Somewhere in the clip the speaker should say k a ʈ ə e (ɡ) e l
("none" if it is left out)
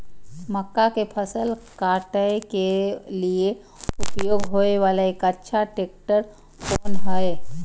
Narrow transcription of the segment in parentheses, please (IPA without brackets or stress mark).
k